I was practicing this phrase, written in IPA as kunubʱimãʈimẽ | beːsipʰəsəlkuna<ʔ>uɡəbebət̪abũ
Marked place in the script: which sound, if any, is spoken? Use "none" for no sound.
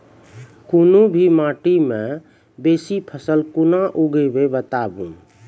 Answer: ʔ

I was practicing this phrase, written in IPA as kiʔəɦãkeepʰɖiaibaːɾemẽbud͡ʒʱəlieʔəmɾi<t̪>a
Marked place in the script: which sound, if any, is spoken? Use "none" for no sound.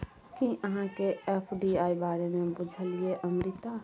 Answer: t̪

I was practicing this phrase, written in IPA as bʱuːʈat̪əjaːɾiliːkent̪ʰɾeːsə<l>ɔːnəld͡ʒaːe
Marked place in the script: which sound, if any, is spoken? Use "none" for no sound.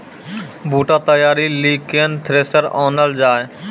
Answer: ɾ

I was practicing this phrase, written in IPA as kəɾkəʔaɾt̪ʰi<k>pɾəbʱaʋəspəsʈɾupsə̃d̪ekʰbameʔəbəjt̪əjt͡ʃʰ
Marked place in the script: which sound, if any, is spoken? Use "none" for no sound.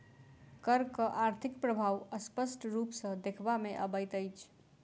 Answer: k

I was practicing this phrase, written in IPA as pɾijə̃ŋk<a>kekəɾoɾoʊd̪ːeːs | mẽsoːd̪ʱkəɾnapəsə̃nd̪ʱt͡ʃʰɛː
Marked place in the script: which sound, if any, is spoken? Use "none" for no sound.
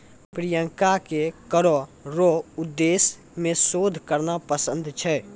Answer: a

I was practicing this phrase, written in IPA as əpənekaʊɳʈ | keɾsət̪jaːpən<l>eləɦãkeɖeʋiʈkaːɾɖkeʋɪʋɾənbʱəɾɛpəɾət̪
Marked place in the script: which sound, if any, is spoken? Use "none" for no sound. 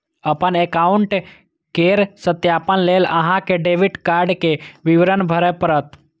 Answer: l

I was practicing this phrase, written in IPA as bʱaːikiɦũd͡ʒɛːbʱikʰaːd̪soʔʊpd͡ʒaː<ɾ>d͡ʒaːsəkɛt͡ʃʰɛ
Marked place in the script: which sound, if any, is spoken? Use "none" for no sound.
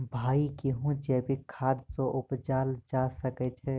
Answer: l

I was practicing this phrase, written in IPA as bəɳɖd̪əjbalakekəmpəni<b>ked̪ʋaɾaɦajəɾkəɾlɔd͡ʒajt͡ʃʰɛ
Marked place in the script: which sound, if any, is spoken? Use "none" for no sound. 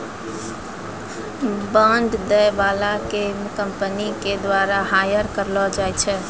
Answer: none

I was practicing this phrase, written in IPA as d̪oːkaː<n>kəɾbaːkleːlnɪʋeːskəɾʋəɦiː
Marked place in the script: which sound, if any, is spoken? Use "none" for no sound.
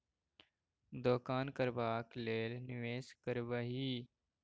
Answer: n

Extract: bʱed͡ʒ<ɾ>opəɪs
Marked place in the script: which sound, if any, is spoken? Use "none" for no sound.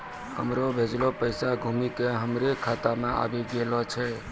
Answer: l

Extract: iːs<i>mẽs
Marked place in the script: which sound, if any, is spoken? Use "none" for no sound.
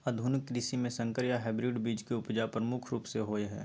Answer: i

